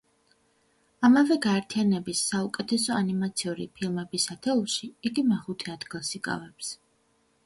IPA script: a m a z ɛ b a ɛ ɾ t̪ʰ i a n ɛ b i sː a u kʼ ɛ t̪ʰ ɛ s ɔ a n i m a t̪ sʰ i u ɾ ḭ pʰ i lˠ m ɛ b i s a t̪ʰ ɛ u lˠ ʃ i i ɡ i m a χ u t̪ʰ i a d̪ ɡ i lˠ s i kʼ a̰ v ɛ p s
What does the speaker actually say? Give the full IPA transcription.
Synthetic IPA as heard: a m a v ɛ ɡ a ɛ ɾ t̪ʰ i a n ɛ b i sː a u kʼ ɛ t̪ʰ ɛ s ɔ a n i m a t̪ sʰ i u ɾ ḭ pʰ i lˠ m ɛ b i s a t̪ʰ ɛ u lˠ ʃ i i ɡ i m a χ u t̪ʰ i a d̪ ɡ i lˠ s i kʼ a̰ v ɛ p s

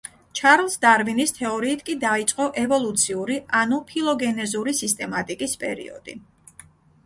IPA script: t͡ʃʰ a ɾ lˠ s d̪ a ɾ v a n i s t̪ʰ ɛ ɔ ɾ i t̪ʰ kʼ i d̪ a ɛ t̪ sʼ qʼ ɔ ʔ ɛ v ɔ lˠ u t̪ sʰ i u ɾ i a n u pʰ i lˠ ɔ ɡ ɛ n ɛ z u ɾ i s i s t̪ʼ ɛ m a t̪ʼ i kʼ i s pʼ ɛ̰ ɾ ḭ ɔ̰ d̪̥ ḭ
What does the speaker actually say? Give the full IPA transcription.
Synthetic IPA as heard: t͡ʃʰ a ɾ lˠ s d̪ a ɾ v i n i s t̪ʰ ɛ ɔ ɾ iː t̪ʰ kʼ i d̪ a i t̪ sʼ qʼ ɔ ʔ ɛ v ɔ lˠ u t̪ sʰ i u ɾ i a n u pʰ i lˠ ɔ ɡ ɛ n ɛ z u ɾ i s i s t̪ʼ ɛ m a t̪ʼ i kʼ i s pʼ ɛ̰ ɾ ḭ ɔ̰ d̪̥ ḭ

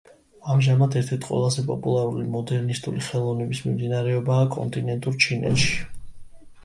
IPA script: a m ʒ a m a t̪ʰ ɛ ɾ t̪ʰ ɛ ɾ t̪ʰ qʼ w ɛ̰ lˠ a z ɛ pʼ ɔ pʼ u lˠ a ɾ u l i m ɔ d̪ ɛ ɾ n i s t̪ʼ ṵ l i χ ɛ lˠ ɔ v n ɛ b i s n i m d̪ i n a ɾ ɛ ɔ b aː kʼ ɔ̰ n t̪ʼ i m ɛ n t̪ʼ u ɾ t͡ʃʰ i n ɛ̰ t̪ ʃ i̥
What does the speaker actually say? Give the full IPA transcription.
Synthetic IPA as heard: a m ʒ a m a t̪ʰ ɛ ɾ t̪ʰ ɛ ɾ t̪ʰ qʼ w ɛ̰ lˠ a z ɛ pʼ ɔ pʼ u lˠ a ɾ u l i m ɔ d̪ ɛ ɾ n i s t̪ʼ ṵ l i χ ɛ lˠ ɔ v n ɛ b i s m i m d̪ i n a ɾ ɛ ɔ b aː kʼ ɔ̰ n t̪ʼ i n ɛ n t̪ʼ u ɾ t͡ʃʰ i n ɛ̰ t̪ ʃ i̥

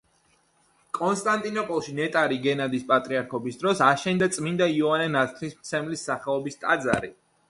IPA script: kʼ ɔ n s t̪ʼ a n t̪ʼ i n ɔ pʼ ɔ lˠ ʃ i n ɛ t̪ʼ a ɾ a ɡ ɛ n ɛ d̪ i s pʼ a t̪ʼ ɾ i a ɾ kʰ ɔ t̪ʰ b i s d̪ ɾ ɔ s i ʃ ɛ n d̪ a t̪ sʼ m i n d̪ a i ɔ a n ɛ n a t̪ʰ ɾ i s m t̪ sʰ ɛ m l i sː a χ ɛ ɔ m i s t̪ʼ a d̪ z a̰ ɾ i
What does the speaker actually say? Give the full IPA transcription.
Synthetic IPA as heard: kʼ ɔ n s t̪ʼ a n t̪ʼ i n ɔ pʼ ɔ lˠ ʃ i n ɛ t̪ʼ a ɾ i ɡ ɛ n a d̪ i s pʼ a t̪ʼ ɾ i a ɾ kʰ ɔ b i s d̪ ɾ ɔ s a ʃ ɛ n d̪ a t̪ sʼ m i n d̪ a i ɔ a n ɛ n a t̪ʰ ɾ i s m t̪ sʰ ɛ m l i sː a χ ɛ ɔ b i s t̪ʼ a d̪ z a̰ ɾ i

